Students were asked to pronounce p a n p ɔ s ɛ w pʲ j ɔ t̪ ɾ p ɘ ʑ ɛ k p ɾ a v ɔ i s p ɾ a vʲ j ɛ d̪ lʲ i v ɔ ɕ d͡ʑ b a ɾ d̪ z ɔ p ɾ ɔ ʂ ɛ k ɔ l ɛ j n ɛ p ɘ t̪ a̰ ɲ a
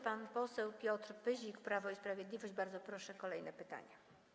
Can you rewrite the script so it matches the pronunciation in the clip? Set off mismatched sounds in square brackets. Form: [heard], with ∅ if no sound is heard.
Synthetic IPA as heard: p a n p ɔ s ɛ w pʲ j ɔ t̪ ɾ p ɘ ʑ [i] k p ɾ a v ɔ i s p ɾ a vʲ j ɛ d̪ lʲ i v ɔ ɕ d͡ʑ b a ɾ d̪ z ɔ p ɾ ɔ ʂ ɛ k ɔ l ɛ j n ɛ p ɘ t̪ a̰ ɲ a